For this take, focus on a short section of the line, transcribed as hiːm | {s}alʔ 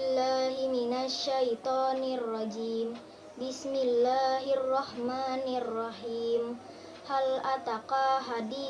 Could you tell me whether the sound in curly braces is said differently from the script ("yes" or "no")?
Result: yes